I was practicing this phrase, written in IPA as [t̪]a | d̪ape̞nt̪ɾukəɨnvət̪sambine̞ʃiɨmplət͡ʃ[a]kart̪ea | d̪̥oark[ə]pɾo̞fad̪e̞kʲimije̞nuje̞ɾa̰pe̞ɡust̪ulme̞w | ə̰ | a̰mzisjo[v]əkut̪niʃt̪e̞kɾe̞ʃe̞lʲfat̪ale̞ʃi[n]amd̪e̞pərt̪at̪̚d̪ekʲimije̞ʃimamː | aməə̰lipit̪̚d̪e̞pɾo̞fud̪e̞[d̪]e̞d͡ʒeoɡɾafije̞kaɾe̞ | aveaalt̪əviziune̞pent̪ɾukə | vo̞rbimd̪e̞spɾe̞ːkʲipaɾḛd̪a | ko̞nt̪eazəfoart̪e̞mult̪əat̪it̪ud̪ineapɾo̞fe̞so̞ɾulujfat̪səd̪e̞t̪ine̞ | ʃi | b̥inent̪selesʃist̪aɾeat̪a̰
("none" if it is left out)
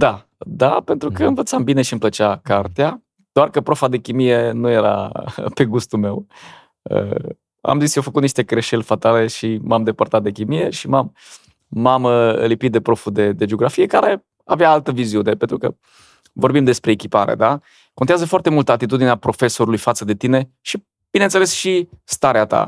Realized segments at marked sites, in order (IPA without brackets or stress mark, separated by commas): d̪, a, ə, f, m, d̪